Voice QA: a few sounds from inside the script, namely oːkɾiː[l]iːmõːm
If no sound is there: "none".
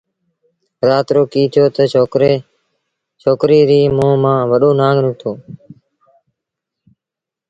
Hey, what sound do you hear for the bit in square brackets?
ɾ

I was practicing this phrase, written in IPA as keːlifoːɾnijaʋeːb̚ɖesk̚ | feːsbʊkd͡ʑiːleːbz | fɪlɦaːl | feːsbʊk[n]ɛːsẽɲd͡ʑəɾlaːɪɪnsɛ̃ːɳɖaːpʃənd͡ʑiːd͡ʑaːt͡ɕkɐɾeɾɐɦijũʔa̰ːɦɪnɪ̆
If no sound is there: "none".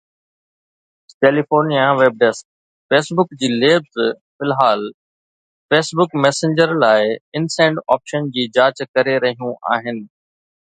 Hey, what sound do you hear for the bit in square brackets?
m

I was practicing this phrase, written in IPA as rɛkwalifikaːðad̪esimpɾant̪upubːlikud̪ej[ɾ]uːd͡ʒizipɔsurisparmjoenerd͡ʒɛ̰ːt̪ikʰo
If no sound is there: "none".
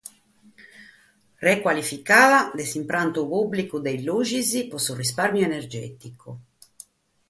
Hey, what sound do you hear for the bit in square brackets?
l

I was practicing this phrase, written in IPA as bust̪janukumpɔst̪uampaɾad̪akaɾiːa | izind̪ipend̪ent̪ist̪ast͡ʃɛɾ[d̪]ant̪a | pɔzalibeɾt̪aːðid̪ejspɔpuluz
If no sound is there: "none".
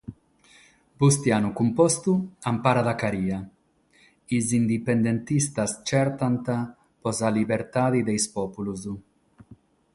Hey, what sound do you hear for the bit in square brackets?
t̪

